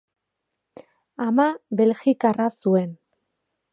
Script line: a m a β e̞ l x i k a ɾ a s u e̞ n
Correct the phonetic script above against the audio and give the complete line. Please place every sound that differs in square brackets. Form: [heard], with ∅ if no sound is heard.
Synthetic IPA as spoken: a m a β e̞ l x i k a [r] a s u e̞ n

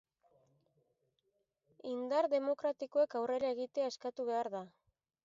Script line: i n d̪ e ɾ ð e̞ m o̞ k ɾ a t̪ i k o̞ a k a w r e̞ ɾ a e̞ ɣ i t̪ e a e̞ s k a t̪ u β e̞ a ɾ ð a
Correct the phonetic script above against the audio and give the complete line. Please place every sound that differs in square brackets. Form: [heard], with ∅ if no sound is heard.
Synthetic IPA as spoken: i n d̪ [a] ɾ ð e̞ m o̞ k ɾ a t̪ i k o̞ [e] k a w r e̞ ɾ a e̞ ɣ i t̪ e a e̞ s k a t̪ u β e̞ a ɾ ð a

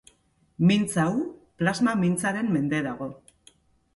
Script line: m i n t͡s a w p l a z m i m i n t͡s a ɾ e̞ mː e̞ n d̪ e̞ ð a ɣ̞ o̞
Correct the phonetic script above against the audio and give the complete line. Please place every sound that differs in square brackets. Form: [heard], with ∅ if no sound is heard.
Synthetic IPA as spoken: m i n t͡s a w p l a z m [a] m i n t͡s a ɾ e̞ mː e̞ n d̪ e̞ ð a ɣ̞ o̞

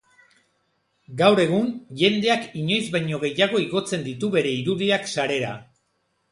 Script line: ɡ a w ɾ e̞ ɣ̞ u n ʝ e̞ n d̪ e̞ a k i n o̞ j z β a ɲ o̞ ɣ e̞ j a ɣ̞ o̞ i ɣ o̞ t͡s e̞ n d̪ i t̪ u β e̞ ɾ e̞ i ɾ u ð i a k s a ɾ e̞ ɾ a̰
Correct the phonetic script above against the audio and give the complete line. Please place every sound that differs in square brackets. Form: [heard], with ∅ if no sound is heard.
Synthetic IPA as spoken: ɡ a w ɾ e̞ ɣ̞ u n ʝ e̞ n d̪ e̞ a k i [ɲ] o̞ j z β a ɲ o̞ ɣ e̞ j a ɣ̞ o̞ i ɣ o̞ t͡s e̞ n d̪ i t̪ u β e̞ ɾ e̞ i ɾ u ð i a k s a ɾ e̞ ɾ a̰

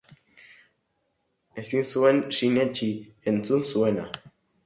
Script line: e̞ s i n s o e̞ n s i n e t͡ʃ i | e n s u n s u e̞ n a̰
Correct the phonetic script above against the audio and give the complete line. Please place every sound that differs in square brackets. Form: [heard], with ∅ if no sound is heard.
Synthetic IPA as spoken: e̞ s i n s [u] e̞ n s i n e t͡ʃ i | e n [t͡s] u n s u e̞ n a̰

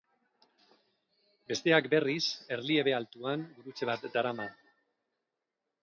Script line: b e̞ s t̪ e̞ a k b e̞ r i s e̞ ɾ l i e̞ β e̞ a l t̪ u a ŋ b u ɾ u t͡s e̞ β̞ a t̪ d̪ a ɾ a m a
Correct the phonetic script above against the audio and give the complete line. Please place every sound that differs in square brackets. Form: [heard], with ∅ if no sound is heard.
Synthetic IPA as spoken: b e̞ s t̪ e̞ a k b e̞ r i s e̞ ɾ l i e̞ β e̞ a l t̪ u a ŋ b u ɾ u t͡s e̞ β̞ a t̪ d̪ a ɾ a m a

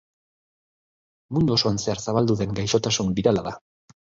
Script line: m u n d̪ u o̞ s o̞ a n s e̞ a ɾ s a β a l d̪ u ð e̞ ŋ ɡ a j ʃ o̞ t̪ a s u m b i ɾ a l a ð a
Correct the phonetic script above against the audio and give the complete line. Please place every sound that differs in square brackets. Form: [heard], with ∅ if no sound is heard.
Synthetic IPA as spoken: m u n d̪ u o̞ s o̞ a n s e̞ a ɾ s a β a l d̪ u ð e̞ ŋ ɡ a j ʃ o̞ t̪ a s u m b i ɾ a l a ð a

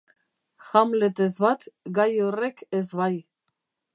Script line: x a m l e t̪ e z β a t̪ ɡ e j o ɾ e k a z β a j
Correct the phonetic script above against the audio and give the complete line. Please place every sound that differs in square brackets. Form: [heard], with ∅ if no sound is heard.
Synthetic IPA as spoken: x a m l e t̪ e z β a t̪ ɡ [a] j o [r] e k [e] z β a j

